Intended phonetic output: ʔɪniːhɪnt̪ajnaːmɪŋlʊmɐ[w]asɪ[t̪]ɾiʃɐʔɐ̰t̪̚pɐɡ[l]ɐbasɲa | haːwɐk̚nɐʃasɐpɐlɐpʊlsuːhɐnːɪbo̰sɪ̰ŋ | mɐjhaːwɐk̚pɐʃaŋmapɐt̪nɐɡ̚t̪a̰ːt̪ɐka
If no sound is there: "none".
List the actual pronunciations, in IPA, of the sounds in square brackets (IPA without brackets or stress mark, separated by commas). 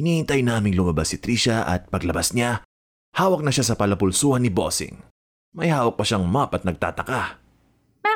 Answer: b, t̪, l